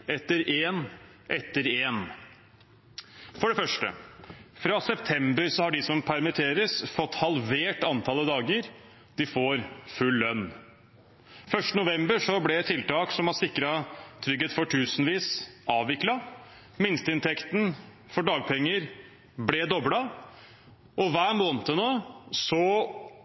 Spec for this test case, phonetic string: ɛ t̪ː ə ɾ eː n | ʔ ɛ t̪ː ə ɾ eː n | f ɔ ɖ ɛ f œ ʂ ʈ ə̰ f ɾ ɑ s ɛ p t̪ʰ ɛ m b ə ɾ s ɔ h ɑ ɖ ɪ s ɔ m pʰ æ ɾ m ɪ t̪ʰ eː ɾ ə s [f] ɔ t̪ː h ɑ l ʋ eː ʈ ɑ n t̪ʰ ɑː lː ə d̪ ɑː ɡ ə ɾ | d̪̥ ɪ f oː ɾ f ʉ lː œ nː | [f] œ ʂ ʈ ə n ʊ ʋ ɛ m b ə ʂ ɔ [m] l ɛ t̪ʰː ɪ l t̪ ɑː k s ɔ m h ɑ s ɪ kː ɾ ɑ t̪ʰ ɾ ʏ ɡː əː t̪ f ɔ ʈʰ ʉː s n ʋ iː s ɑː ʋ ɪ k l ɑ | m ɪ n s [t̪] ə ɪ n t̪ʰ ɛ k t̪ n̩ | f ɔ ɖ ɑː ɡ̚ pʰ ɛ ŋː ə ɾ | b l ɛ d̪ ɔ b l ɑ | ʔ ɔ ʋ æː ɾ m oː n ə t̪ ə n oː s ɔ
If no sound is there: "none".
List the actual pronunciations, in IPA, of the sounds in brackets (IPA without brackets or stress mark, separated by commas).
f, f, b, t̪